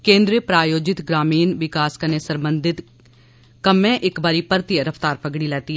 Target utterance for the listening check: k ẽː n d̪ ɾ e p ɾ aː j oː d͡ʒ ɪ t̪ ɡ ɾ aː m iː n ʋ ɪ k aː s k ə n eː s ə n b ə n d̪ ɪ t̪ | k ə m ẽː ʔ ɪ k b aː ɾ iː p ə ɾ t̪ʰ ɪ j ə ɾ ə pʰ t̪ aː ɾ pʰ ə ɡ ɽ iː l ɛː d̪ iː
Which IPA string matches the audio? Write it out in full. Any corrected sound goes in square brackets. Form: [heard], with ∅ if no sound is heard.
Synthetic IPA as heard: k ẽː n d̪ ɾ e p ɾ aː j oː d͡ʒ ɪ t̪ ɡ ɾ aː m iː n ʋ ɪ k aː s k ə n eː s ə [m] b ə n d̪ ɪ t̪ | k ə m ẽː ʔ ɪ k b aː ɾ iː p ə ɾ [t̪] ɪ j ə ɾ ə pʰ t̪ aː ɾ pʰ ə ɡ ɽ iː l ɛː [t̪] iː